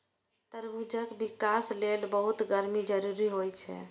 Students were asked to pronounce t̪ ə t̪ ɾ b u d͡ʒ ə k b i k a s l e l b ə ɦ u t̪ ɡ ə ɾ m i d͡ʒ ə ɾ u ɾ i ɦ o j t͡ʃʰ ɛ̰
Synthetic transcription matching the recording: t̪ ə ɾ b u d͡ʒ ə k b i k a s l e l b ə ɦ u t̪ ɡ ə ɾ m i d͡ʒ ə ɾ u ɾ i ɦ o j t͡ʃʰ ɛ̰